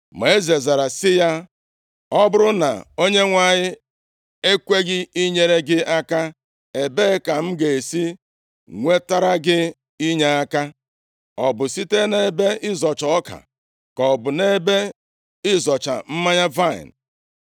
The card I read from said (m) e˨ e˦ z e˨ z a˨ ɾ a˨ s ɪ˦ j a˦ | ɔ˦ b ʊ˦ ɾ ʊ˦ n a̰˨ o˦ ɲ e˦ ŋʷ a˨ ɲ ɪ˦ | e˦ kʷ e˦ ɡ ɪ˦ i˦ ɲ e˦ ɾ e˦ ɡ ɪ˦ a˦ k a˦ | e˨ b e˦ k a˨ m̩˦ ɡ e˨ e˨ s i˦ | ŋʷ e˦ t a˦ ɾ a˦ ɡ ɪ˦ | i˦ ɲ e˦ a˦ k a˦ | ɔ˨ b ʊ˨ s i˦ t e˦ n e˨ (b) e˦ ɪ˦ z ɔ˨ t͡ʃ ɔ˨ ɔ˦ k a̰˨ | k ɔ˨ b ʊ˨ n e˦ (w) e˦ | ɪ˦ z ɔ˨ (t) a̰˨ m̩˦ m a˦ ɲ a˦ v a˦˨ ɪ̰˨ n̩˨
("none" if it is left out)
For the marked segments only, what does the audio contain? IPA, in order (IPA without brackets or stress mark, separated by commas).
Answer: m, b, b, t͡ʃ